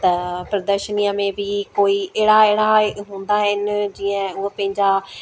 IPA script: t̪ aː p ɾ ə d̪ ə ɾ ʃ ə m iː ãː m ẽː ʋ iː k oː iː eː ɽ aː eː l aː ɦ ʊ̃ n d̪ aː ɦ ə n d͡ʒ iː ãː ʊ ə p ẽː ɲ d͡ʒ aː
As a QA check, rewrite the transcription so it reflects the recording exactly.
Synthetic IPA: t̪ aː p ɾ ə d̪ ə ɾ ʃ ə n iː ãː m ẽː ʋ iː k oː iː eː ɽ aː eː ɽ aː ɦ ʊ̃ n d̪ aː ɦ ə n d͡ʒ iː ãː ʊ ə p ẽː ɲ d͡ʒ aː